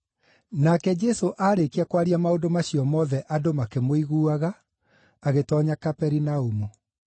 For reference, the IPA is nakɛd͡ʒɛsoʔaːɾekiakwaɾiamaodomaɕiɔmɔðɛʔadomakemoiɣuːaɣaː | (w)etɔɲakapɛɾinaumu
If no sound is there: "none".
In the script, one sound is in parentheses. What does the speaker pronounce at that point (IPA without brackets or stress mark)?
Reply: ɣ